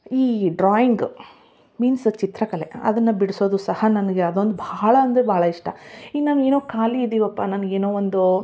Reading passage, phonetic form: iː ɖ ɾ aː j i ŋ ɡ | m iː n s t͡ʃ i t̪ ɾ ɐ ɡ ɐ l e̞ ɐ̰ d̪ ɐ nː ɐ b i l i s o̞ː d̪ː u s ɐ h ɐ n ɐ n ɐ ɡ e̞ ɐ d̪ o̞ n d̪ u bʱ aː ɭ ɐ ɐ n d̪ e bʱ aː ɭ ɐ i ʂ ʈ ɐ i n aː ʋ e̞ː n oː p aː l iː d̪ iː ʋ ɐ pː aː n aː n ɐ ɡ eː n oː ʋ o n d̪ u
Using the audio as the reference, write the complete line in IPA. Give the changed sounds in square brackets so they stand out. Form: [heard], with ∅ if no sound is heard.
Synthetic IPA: iː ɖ ɾ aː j i ŋ ɡ | m iː n s t͡ʃ i t̪ ɾ ɐ [k] ɐ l e̞ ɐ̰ d̪ ɐ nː ɐ b i [ɽ] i s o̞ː [d̪] u s ɐ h ɐ n ɐ n ɐ ɡ e̞ ɐ d̪ o̞ n d̪ u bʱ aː ɭ ɐ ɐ n d̪ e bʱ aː ɭ ɐ i ʂ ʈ ɐ i n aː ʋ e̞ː n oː [k] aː l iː d̪ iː ʋ ɐ pː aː n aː n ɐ ɡ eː n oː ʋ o n d̪ u